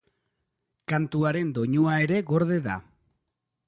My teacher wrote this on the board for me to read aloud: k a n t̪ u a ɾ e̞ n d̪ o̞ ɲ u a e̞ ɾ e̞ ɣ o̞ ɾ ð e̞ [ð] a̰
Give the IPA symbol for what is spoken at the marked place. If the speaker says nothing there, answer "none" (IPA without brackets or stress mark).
ð